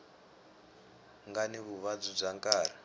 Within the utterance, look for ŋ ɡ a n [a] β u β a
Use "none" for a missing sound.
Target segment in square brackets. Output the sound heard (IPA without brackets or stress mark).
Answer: i